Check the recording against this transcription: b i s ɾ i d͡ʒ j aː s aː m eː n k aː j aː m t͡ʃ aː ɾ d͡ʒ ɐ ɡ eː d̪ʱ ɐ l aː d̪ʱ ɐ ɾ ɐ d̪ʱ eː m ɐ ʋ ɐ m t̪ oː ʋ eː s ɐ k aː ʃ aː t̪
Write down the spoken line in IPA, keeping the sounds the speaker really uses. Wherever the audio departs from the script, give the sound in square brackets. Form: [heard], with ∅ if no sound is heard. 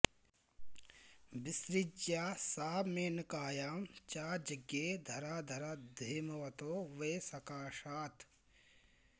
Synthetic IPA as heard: b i s ɾ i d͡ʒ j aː s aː m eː n k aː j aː m t͡ʃ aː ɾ d͡ʒ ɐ ɡ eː d̪ʱ ɐ [ɾ] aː d̪ʱ ɐ ɾ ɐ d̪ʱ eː m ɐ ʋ ɐ [∅] t̪ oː ʋ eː s ɐ k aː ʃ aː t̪